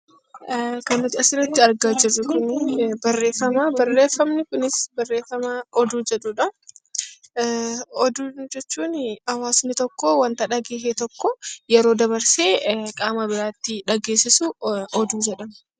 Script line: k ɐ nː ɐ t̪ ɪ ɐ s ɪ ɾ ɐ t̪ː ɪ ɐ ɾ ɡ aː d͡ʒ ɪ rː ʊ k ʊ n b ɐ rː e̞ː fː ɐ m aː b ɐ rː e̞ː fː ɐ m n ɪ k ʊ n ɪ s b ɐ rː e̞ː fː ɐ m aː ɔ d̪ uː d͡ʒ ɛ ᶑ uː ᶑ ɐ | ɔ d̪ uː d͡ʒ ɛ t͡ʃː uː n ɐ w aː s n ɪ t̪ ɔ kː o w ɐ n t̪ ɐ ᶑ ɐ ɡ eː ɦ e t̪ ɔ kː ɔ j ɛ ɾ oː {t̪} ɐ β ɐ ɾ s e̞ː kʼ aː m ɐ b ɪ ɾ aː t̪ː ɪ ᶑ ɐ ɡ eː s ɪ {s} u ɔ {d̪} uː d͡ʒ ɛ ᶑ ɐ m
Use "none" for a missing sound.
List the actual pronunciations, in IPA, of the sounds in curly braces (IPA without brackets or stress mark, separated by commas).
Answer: d̪, s, d̪